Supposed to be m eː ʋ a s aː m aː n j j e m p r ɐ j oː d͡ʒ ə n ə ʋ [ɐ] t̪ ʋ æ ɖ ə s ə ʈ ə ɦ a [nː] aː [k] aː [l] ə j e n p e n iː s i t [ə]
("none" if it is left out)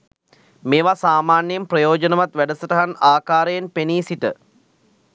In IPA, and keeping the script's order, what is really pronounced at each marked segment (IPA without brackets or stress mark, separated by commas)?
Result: a, n, k, ɾ, ə